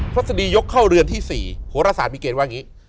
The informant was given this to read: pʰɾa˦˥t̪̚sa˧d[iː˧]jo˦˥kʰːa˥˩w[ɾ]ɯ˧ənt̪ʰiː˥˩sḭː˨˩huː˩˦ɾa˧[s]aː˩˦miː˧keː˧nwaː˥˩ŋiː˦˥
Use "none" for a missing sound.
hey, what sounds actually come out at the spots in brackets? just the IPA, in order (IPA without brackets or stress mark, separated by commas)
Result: iː˧, ɾ, s